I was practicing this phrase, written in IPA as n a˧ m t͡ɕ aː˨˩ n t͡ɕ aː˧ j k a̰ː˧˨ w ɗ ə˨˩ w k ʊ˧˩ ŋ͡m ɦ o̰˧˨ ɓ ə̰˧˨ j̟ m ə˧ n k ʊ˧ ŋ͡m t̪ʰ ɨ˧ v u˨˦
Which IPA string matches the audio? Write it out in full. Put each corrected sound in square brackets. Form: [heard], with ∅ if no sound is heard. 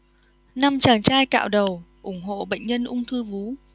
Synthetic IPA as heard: n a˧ m t͡ɕ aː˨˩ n t͡ɕ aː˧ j k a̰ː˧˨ w ɗ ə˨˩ w [ʔ] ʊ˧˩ ŋ͡m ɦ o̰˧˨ ɓ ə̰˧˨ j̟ [ɲ] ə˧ n [ʔ] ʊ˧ ŋ͡m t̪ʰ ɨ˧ v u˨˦